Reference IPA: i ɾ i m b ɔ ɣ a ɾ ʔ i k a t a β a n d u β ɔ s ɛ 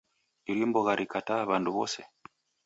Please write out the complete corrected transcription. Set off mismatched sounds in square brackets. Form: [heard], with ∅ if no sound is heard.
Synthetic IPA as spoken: i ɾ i m b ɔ ɣ a ɾ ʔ i k a t a β a n d u β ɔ s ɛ